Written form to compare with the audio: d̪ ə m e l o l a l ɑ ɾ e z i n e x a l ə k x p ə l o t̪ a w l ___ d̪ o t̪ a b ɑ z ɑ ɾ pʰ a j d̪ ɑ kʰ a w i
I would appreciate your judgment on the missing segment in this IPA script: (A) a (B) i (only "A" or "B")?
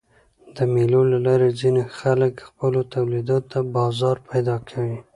B